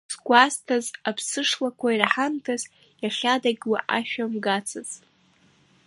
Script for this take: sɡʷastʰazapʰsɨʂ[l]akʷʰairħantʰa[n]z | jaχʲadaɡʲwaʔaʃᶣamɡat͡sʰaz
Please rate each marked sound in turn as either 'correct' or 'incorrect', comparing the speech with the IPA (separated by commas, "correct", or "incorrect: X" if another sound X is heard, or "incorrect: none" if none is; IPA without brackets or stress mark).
correct, incorrect: none